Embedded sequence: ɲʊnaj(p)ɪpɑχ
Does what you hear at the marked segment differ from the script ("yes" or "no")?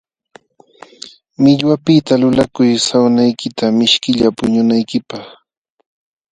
yes